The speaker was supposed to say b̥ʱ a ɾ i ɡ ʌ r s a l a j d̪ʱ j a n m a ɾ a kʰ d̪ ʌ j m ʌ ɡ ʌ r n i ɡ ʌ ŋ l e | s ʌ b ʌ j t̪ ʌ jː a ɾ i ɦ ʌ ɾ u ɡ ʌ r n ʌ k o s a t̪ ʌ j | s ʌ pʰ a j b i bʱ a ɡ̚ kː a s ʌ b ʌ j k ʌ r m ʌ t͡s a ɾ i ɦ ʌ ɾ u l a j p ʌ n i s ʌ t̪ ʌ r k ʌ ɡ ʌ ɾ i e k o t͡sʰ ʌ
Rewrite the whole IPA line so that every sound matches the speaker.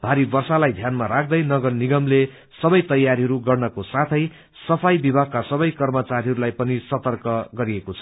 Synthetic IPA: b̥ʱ a ɾ i b ʌ r s a l a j d̪ʱ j a n m a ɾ a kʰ d̪ ʌ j n ʌ ɡ ʌ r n i ɡ ʌ m l e | s ʌ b ʌ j t̪ ʌ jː a ɾ i ɦ ʌ ɾ u ɡ ʌ r n ʌ k o s a t̪ʰ ʌ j | s ʌ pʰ a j b i bʱ a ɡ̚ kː a s ʌ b ʌ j k ʌ r m ʌ t͡s a ɾ i ɦ ʌ ɾ u l a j p ʌ n i s ʌ t̪ ʌ r k ʌ ɡ ʌ ɾ i e k o t͡sʰ ʌ